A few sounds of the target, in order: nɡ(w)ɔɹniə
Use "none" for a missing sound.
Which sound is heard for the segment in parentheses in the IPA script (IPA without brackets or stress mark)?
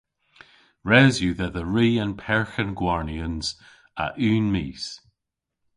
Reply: w